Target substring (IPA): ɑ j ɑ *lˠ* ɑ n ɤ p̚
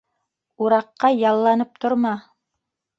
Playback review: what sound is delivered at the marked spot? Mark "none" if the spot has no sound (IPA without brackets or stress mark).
lˠː